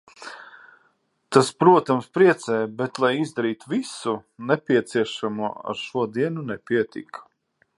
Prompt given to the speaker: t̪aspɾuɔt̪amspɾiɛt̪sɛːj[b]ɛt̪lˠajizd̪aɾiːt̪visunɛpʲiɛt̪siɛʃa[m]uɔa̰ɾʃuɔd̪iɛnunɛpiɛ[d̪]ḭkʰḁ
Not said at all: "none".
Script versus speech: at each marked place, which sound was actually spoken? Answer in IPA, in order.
b, m, t̪

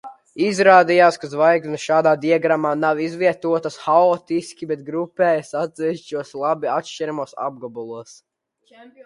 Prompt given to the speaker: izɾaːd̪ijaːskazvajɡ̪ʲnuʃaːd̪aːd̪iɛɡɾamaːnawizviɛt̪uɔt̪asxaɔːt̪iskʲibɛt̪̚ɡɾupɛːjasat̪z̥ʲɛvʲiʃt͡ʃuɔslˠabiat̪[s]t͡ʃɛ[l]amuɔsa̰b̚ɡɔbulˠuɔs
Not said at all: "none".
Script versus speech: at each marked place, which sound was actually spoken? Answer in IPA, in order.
ʃ, ɾ

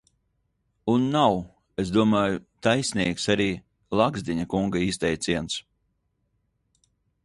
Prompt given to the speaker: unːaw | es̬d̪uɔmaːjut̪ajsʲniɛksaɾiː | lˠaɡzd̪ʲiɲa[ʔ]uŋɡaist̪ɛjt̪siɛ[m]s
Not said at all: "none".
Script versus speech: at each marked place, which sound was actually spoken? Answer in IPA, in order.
k, n

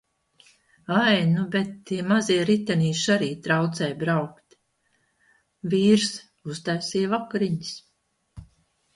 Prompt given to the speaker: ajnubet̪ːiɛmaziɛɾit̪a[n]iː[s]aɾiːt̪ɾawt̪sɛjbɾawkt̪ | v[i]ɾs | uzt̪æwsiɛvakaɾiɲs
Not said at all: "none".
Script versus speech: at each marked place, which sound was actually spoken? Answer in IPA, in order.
n, ʃ, iː

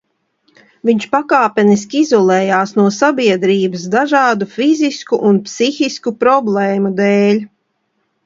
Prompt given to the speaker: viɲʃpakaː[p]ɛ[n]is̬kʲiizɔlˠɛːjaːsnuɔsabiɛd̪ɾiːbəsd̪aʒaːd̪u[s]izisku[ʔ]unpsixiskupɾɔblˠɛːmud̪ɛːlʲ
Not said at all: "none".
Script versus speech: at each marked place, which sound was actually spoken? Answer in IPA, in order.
p, n, f, ʔ

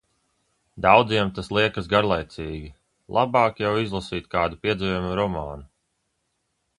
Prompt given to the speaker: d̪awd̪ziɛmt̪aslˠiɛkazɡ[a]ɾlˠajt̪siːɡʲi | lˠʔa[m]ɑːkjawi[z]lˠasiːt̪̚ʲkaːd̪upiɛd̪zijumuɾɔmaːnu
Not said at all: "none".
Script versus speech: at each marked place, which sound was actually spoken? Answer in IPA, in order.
a, b, z

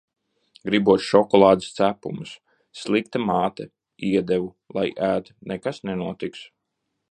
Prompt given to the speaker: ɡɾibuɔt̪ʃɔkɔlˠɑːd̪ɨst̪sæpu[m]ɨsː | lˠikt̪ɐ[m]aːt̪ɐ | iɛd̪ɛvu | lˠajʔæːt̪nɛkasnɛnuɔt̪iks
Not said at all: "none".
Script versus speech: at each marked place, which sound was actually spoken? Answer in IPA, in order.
m, m

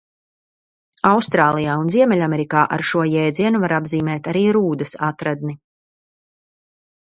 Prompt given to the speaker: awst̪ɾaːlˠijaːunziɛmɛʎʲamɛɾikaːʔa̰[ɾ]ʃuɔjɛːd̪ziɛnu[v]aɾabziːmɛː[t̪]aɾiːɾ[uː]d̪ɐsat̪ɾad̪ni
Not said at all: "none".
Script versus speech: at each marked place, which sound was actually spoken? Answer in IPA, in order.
ɾ, v, t̪, uː

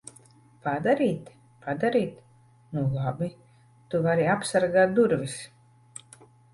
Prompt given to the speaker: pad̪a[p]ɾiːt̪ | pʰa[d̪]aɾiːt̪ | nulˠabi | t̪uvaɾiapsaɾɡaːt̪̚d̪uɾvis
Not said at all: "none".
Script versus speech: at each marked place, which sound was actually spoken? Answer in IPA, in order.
none, d̪

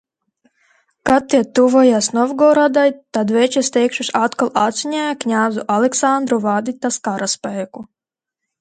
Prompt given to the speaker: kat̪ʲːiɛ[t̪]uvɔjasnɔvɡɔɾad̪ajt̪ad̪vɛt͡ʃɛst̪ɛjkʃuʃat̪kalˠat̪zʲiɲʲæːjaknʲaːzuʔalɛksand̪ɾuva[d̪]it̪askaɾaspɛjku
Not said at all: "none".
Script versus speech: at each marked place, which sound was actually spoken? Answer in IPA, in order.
t̪, d̪

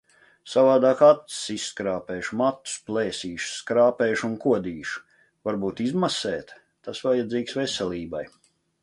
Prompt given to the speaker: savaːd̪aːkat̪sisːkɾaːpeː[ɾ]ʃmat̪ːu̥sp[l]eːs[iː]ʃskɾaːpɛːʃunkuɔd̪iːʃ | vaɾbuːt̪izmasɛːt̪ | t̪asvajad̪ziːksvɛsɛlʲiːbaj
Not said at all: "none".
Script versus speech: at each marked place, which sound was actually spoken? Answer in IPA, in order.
none, l, iː

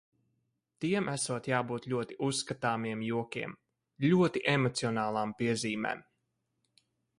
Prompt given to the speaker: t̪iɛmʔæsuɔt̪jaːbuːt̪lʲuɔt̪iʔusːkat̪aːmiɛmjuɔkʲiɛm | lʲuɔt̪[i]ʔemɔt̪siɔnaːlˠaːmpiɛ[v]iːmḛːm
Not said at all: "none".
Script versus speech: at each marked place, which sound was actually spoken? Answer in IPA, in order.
i, z

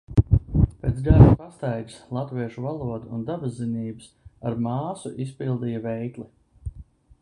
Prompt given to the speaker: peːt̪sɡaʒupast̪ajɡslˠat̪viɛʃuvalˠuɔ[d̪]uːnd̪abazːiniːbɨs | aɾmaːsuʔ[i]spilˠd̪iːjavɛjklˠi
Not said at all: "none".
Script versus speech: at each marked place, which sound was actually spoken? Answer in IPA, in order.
d̪, i

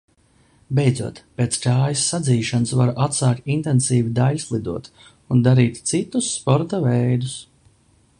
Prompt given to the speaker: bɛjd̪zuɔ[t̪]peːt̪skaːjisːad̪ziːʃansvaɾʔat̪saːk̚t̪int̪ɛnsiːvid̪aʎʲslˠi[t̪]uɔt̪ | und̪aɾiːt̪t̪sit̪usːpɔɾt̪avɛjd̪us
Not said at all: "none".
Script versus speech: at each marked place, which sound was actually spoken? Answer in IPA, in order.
t̪, d̪

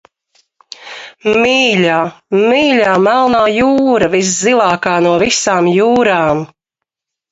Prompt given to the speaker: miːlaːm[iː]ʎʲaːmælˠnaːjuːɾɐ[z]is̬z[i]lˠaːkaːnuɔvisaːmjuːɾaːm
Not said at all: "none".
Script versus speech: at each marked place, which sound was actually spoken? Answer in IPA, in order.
iː, v, i

